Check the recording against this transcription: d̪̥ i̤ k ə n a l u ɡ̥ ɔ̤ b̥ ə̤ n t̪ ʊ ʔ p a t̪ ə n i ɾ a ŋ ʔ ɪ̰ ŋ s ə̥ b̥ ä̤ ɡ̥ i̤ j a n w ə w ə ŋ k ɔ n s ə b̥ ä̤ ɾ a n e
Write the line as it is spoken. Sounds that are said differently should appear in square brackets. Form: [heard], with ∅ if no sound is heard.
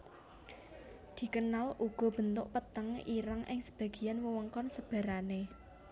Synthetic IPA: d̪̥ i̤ k ə n a l u ɡ̥ ɔ̤ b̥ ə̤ n t̪ ʊ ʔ p [ə] t̪ ə [ŋ] i ɾ a ŋ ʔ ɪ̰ ŋ s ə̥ b̥ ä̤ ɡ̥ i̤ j a n w ə w ə ŋ k ɔ n s ə b̥ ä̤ ɾ a n e

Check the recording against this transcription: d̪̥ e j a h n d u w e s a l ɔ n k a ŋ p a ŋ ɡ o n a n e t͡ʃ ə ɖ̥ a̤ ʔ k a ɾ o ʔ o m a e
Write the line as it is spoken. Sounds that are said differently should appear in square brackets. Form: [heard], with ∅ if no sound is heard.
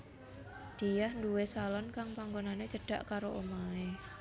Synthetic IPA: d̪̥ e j a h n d u w e s a l ɔ n k a ŋ p a ŋ ɡ o n a n e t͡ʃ ə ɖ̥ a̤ ʔ k a ɾ o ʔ o m a e

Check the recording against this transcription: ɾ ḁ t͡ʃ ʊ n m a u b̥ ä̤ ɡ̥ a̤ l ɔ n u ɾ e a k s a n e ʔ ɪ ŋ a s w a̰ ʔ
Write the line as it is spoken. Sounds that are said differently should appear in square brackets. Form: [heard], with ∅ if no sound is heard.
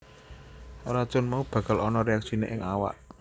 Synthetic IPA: ɾ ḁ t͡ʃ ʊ n m a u b̥ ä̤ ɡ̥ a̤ l ɔ n [ɔ] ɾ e a k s [i] n e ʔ ɪ ŋ a [∅] w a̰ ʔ

